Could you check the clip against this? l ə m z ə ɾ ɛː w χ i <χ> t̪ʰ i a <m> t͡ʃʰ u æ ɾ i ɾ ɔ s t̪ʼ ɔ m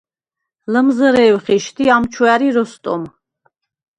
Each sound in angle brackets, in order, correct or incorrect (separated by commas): incorrect, correct